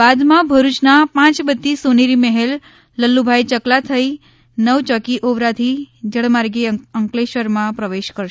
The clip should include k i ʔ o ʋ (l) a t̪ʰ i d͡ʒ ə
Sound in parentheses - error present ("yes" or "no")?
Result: yes